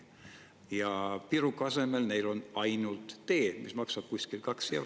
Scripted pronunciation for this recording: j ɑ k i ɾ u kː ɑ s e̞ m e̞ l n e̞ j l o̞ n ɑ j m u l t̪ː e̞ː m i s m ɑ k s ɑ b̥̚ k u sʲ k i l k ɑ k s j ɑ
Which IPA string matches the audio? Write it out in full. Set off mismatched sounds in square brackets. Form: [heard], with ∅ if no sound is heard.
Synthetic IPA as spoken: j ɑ [p] i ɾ u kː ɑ s e̞ m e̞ l n e̞ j l o̞ n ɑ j [n] u l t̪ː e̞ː m i s m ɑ k s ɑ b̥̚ k u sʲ k i l k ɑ k s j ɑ